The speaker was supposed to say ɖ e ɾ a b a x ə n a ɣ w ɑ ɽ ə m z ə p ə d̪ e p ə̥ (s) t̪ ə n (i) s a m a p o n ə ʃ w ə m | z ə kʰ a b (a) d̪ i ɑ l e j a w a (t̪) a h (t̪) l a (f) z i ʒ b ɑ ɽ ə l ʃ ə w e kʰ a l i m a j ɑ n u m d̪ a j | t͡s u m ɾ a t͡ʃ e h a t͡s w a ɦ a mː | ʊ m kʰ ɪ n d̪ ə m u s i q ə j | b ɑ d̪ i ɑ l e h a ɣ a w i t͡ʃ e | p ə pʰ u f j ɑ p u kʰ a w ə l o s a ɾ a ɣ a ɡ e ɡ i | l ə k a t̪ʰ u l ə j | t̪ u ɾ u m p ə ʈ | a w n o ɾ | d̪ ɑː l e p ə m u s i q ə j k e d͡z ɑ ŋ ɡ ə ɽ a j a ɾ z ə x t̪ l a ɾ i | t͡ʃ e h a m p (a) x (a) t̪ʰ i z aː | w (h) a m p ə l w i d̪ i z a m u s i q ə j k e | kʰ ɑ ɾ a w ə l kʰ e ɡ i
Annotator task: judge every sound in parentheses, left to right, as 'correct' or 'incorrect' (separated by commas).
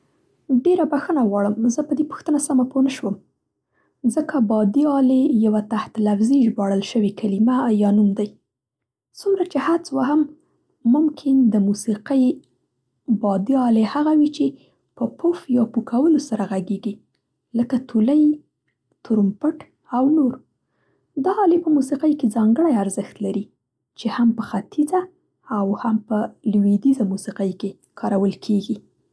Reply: incorrect, incorrect, incorrect, correct, correct, correct, incorrect, correct, correct